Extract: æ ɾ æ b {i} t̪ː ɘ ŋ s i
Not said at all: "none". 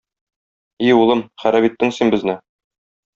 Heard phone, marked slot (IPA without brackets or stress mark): i